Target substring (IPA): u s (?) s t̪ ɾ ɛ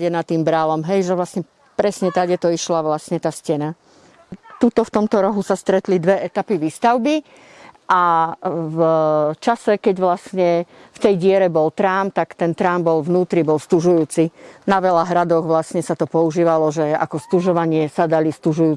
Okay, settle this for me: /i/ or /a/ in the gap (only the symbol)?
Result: a